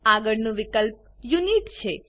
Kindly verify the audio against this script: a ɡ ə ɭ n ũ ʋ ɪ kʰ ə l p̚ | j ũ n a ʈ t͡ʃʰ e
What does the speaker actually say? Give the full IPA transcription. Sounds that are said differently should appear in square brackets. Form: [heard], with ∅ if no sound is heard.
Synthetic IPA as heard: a ɡ ə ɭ n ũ ʋ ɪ [k] ə l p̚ | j [u] n [i] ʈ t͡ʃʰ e